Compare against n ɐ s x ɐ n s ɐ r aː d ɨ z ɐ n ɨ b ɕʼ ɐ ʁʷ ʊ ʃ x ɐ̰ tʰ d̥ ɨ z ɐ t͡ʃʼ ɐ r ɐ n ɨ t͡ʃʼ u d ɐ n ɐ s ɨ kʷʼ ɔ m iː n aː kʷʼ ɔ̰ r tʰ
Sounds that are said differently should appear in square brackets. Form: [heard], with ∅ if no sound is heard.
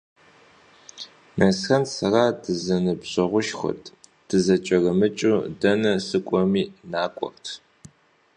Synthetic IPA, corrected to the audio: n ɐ s x ɐ n s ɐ r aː d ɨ z ɐ n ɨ b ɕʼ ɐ ʁʷ ʊ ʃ x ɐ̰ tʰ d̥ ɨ z ɐ t͡ʃʼ ɐ r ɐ [m] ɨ t͡ʃʼ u d ɐ n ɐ s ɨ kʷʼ ɔ m iː n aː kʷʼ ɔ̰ r tʰ

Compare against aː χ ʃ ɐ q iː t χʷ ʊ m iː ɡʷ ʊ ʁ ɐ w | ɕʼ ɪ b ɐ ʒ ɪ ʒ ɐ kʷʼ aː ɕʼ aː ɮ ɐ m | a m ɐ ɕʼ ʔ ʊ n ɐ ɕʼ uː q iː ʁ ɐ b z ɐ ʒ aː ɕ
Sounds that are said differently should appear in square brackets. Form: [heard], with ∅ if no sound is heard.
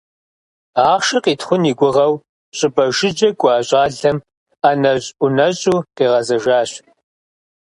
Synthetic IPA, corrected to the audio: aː χ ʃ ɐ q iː t χʷ ʊ [n] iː ɡʷ ʊ ʁ ɐ w | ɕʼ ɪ b ɐ ʒ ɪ [d͡ʒ] ɐ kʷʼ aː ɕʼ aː ɮ ɐ m | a [n] ɐ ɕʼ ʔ ʊ n ɐ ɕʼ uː q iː ʁ ɐ [∅] z ɐ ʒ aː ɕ

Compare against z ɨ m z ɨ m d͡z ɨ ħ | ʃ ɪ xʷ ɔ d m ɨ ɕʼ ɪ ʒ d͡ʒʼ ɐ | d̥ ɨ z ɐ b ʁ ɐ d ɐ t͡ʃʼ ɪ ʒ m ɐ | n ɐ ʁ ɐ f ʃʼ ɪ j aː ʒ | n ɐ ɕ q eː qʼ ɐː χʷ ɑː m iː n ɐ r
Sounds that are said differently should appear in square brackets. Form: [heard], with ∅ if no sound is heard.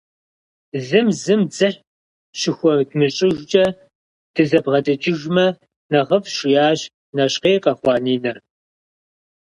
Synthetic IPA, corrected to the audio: z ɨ m z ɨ m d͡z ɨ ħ | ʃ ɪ xʷ ɔ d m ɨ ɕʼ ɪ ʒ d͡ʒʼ ɐ | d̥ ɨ z ɐ b ʁ ɐ d ɐ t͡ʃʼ ɪ ʒ m ɐ | n ɐ ʁ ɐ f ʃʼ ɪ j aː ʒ | n ɐ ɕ q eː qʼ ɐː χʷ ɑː [n] iː n ɐ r

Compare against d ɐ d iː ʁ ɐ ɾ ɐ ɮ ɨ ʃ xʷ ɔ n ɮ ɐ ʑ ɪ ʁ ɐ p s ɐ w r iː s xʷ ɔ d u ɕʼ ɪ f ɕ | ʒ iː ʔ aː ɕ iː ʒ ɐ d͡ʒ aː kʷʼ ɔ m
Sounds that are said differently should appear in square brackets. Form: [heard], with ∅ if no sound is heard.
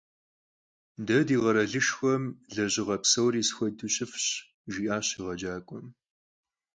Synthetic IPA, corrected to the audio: d ɐ d iː ʁ ɐ ɾ ɐ ɮ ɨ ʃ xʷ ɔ [m] ɮ ɐ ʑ ɪ ʁ ɐ p s ɐ w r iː s xʷ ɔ d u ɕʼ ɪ f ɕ | ʒ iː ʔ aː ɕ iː [ʁ] ɐ d͡ʒ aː kʷʼ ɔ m

